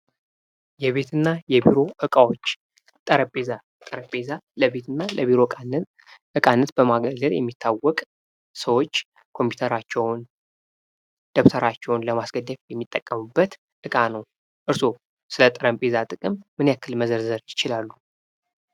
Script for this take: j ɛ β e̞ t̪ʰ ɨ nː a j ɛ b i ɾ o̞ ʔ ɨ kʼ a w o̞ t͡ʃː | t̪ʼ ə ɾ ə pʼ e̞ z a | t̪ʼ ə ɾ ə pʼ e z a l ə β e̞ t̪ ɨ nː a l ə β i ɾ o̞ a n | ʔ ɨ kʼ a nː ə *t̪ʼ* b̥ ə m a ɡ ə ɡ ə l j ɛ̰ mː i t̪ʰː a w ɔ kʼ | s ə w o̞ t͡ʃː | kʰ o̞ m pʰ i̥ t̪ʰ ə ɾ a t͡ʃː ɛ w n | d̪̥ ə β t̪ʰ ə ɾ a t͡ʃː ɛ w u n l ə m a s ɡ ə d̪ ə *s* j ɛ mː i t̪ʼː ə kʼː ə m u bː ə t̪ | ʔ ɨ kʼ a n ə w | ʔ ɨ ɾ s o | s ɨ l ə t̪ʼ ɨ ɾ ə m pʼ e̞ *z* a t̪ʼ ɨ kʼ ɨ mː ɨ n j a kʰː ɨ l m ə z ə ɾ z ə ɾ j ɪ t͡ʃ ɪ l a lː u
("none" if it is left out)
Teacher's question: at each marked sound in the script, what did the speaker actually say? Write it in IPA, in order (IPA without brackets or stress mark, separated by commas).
t̪, f, z